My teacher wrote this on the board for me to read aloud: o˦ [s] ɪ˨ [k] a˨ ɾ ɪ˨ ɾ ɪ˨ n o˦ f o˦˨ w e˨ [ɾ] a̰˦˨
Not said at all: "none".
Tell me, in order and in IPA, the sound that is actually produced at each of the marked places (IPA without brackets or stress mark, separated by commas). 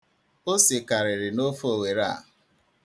s, k, ɾ